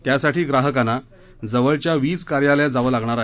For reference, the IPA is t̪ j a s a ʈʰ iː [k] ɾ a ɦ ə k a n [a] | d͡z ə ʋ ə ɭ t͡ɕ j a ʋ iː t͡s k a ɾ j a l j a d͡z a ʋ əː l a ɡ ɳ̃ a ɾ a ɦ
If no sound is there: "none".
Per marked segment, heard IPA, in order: ɡ, a

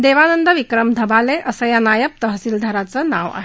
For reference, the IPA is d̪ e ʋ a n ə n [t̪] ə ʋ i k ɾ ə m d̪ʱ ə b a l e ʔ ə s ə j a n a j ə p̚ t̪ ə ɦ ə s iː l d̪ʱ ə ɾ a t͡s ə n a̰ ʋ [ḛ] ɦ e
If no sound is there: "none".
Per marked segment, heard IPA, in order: d̪, a̰

